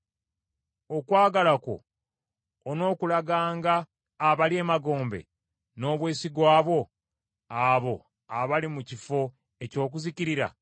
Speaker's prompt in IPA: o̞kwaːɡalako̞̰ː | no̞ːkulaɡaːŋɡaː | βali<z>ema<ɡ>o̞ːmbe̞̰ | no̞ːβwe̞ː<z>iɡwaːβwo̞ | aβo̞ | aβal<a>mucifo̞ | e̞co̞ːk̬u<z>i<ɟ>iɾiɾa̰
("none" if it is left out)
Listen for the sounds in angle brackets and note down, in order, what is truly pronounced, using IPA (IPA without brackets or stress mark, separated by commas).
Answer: none, ɡ, s, i, z, c